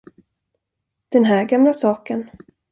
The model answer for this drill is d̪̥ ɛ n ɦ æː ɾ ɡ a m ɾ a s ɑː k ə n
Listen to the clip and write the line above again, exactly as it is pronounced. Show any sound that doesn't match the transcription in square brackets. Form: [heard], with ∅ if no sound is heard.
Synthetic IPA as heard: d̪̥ ɛ n ɦ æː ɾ ɡ a m [l] a s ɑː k ə n